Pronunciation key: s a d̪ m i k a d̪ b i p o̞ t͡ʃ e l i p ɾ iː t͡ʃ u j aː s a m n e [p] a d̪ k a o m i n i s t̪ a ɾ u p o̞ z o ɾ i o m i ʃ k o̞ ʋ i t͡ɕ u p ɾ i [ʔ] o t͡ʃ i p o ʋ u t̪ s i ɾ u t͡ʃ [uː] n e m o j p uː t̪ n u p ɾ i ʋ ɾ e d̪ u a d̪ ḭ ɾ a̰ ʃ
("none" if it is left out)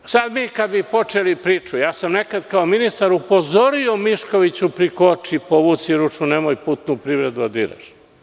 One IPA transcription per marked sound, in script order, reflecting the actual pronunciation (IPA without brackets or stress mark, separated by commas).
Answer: k, k, u